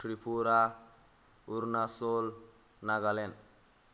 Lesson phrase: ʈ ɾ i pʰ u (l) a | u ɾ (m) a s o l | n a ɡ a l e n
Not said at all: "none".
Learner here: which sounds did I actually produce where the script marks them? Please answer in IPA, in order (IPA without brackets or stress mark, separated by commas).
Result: ɾ, n